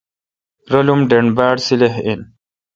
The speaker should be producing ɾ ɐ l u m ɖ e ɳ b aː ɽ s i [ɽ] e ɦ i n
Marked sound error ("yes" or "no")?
yes